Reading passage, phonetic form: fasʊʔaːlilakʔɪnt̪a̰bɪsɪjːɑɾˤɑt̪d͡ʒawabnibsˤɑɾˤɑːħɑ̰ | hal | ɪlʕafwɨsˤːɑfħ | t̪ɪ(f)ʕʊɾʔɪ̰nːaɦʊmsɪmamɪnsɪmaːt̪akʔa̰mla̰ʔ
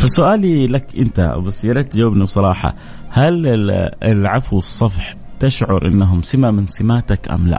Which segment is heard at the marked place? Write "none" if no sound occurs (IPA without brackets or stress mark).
ʃ